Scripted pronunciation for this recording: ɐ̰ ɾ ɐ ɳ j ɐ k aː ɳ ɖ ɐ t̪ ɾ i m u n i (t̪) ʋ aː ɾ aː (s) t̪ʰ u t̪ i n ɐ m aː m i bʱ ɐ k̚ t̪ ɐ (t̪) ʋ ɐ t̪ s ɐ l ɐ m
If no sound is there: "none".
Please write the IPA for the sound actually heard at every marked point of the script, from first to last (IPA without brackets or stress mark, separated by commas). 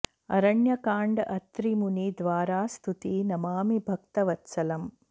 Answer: d̪, s, none